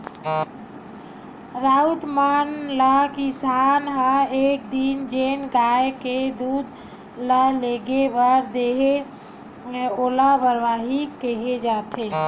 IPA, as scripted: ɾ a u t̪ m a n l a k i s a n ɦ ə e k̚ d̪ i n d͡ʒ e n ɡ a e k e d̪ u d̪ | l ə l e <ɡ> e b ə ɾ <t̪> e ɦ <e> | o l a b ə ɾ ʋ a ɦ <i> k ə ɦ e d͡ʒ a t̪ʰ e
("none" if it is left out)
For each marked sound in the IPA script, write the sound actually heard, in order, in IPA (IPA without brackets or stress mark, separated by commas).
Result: ɡ, d̪, e, i